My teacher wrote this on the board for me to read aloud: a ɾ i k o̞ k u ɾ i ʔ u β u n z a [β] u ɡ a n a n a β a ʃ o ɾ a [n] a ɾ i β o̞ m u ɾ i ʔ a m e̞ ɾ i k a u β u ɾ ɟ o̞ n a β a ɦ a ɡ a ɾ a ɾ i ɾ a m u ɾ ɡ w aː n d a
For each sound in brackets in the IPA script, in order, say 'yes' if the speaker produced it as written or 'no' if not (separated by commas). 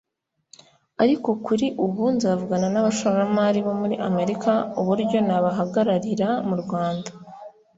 no, no